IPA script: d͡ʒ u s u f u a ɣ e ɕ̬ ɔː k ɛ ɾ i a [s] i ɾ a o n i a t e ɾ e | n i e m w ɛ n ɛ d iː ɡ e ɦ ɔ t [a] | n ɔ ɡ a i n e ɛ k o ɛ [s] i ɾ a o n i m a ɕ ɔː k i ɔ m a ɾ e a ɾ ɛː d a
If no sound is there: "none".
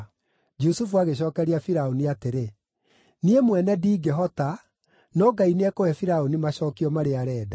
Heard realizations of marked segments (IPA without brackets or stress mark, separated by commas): f, a, f